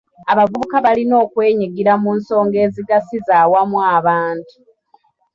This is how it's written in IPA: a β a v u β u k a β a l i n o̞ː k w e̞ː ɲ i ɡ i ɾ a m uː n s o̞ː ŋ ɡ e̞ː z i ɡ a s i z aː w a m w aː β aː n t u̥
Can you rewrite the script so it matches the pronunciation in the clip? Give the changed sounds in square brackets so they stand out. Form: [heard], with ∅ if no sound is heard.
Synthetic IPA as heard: a β a v u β u k a β a l i n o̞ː k w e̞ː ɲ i ɡ i ɾ a m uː n s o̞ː ŋ ɡ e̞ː z i ɡ a s i z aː w a m w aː β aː n t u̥